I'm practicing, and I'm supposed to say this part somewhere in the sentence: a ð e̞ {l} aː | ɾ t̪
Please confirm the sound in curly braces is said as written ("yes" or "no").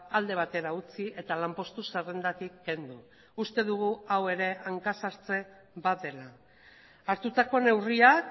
yes